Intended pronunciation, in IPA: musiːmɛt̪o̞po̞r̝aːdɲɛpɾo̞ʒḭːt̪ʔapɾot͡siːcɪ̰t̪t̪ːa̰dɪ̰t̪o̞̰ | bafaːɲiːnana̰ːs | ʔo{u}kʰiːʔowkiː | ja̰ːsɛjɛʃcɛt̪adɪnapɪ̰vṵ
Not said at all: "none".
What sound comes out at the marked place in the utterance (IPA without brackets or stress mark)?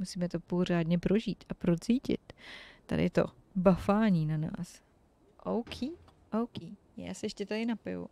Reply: w